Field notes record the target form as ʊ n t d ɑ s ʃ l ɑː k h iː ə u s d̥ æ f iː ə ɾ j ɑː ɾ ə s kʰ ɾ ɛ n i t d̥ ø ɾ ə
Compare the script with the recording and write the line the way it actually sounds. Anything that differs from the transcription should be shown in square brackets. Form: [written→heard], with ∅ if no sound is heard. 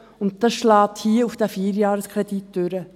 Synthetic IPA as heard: ʊ n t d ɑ s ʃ l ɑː [k→t] h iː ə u [s→f] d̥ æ f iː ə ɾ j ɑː ɾ ə s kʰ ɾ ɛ [n→d] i t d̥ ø ɾ ə